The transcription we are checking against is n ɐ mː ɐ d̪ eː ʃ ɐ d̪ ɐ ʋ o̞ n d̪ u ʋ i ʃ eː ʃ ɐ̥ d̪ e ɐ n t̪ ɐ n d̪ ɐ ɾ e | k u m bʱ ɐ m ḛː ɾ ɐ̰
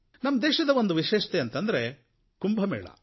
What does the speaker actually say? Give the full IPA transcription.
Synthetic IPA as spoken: n ɐ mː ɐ d̪ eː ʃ ɐ d̪ ɐ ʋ o̞ n d̪ u ʋ i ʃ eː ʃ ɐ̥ t̪ e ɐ n t̪ ɐ n d̪ ɐ ɾ e | k u m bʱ ɐ m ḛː ɭ ɐ̰